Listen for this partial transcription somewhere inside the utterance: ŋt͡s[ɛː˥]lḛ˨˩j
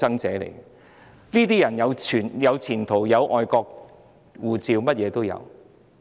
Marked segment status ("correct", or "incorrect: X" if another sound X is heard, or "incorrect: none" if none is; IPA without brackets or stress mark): incorrect: ɛː˨˥